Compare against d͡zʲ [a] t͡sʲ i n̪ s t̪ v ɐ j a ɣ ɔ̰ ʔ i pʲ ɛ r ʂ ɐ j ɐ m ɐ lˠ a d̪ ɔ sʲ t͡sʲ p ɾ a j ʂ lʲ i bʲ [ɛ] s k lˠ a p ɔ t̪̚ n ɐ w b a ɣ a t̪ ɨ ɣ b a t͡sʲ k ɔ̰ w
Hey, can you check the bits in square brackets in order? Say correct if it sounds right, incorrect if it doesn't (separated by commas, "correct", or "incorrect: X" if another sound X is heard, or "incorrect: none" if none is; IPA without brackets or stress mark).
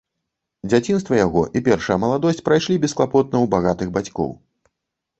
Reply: correct, correct